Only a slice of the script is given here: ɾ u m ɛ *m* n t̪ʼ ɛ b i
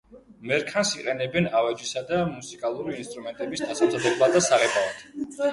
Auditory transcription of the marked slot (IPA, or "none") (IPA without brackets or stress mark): none